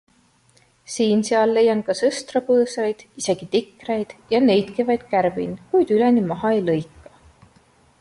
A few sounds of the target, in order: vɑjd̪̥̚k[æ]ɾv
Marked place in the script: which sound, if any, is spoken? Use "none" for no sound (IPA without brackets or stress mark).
æ